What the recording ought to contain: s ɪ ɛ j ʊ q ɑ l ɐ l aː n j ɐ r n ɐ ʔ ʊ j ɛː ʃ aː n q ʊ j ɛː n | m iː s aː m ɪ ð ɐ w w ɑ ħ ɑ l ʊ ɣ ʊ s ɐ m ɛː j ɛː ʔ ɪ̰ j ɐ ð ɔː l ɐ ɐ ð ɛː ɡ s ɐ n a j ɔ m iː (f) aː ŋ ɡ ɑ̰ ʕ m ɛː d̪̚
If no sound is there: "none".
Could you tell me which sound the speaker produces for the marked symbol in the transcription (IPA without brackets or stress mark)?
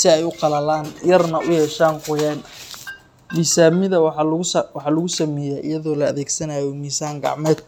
s